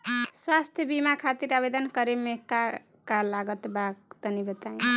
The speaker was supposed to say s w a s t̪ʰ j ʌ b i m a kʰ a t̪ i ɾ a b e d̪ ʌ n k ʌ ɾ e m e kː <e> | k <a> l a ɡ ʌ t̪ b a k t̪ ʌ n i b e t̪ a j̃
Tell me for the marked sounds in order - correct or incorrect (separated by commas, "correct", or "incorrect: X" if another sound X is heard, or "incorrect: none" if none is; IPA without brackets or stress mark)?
incorrect: a, correct